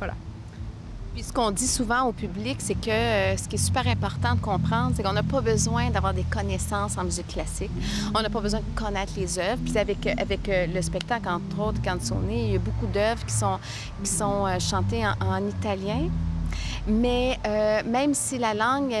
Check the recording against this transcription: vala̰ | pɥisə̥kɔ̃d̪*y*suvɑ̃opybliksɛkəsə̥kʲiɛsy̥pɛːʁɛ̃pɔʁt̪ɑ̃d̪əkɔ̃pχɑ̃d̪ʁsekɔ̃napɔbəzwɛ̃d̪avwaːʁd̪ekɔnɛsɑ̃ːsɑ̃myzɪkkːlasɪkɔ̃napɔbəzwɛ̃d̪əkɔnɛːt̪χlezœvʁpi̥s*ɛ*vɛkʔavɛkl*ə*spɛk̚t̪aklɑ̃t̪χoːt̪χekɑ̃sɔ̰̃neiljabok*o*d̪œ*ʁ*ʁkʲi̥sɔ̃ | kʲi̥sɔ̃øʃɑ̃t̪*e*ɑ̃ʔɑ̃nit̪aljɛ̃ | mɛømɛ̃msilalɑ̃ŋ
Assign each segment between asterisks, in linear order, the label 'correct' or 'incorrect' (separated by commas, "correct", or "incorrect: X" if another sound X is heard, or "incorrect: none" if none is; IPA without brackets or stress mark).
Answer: incorrect: i, incorrect: a, correct, incorrect: u, incorrect: v, correct